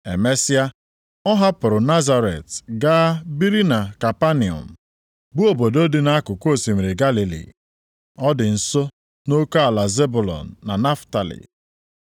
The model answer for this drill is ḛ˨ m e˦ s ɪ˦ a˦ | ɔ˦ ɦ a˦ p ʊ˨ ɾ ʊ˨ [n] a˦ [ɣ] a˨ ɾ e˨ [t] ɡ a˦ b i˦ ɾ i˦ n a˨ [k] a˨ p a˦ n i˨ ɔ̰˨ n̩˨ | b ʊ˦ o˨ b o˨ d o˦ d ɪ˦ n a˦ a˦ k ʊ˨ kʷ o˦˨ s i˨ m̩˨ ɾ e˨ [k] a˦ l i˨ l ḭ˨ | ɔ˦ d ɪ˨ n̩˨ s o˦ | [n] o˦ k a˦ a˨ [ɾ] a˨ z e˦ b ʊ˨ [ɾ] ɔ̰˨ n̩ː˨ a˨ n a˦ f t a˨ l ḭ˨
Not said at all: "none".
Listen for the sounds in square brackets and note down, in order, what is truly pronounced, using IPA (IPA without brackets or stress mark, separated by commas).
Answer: n, z, t, k, ɡ, n, l, l